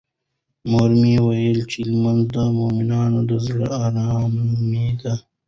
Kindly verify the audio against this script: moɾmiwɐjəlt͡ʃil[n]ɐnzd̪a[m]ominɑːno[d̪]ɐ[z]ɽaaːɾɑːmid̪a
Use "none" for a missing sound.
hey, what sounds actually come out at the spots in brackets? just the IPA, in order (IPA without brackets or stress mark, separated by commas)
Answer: m, m, d̪, z